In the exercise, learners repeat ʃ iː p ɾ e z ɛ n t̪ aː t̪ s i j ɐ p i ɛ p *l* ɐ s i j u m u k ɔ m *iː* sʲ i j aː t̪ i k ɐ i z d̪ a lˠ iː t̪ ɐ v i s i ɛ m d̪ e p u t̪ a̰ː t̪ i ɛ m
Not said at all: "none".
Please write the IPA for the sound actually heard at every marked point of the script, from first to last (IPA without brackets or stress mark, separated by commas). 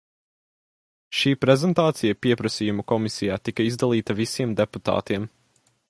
ɾ, i